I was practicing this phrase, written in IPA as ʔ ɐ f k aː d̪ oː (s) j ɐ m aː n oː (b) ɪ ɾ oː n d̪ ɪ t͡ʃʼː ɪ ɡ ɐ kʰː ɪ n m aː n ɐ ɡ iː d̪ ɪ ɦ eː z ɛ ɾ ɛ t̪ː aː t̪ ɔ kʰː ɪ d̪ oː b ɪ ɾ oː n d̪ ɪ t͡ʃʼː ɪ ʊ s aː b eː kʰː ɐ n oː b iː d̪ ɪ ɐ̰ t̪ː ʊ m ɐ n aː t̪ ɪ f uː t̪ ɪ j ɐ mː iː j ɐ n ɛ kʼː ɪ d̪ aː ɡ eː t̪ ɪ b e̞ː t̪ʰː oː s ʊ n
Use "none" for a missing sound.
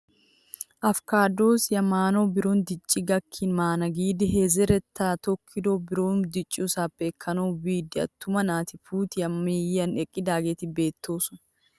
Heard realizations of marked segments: s, b

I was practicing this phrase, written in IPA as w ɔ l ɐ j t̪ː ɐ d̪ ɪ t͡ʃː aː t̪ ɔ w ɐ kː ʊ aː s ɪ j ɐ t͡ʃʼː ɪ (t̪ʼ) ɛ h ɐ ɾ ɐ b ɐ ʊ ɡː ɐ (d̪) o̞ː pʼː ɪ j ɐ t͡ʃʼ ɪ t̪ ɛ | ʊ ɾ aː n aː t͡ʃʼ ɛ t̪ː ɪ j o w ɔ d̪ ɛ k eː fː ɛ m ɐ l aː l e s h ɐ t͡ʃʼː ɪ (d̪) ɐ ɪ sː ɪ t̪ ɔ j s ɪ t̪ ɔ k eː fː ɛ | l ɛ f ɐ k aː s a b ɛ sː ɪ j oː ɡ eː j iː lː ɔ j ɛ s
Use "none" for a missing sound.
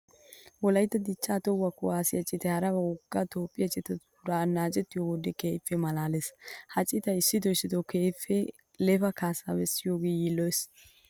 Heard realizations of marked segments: t̪, t̪, t̪

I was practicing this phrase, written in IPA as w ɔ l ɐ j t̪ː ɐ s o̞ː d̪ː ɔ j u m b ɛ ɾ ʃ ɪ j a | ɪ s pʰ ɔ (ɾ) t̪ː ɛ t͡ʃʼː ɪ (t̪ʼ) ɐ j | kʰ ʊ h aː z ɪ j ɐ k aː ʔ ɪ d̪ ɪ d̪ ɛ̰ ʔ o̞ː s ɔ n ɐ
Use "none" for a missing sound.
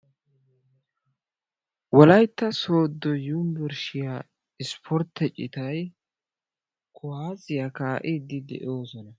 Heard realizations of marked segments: ɾ, t̪

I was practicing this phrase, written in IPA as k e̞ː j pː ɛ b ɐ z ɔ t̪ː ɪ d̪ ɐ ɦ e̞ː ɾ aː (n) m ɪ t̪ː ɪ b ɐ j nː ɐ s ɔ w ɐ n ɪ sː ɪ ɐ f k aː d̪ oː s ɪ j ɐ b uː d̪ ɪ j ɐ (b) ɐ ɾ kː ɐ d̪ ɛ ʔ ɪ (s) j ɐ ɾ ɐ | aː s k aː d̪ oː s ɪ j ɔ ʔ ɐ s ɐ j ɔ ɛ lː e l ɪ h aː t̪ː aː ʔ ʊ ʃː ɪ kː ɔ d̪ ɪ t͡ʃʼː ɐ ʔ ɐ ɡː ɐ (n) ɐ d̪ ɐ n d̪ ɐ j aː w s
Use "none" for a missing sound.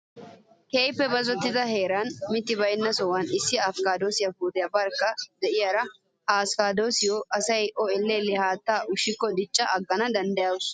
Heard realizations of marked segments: n, b, none, n

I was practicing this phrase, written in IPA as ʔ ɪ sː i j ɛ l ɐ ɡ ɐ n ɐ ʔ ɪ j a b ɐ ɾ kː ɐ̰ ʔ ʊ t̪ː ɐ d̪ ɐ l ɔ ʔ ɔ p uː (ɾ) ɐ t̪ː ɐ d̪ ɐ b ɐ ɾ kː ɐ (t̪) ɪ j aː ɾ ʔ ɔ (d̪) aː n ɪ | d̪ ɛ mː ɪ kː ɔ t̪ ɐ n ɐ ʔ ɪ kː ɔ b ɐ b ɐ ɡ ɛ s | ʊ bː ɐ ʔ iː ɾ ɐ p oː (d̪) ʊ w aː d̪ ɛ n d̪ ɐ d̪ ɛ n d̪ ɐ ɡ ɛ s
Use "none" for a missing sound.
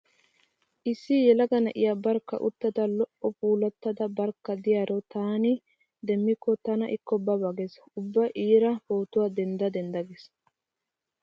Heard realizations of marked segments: l, d̪, t̪, t̪

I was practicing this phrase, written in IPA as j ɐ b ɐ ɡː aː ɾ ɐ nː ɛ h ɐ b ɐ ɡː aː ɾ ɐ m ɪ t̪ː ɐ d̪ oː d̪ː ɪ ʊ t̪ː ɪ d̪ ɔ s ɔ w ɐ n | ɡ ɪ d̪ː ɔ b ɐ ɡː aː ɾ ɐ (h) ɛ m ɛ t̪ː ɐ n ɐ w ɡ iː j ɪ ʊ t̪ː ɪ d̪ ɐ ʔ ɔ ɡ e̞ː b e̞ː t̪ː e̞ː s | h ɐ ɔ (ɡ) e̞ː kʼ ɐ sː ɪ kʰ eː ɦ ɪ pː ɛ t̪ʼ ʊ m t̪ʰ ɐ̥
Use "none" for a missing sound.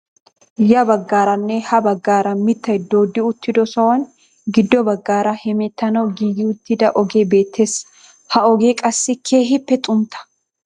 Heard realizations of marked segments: h, ɡ

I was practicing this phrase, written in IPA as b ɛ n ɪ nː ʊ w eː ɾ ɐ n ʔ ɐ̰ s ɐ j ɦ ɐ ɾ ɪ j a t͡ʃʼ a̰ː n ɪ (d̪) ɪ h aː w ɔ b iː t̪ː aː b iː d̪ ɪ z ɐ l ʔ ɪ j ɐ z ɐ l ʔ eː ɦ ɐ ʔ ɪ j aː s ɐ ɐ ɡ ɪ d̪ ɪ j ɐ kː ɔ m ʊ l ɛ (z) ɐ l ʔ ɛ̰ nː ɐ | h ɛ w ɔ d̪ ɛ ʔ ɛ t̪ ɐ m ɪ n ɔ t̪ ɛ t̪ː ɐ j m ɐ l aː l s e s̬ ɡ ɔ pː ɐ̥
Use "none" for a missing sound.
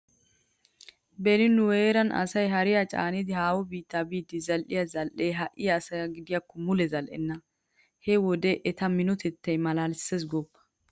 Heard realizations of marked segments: d̪, z

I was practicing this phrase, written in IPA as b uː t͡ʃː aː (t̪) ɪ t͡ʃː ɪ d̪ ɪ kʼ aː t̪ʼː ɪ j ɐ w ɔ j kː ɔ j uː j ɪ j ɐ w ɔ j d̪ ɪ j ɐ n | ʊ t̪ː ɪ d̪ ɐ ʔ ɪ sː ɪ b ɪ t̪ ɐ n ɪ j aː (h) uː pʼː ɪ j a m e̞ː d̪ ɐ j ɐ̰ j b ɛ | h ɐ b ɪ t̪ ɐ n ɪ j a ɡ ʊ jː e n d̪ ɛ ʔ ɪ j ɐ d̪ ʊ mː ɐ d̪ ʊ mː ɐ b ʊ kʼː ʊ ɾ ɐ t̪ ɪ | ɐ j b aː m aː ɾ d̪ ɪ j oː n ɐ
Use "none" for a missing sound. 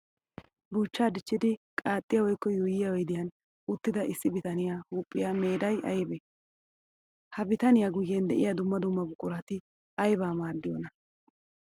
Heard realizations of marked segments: d̪, h

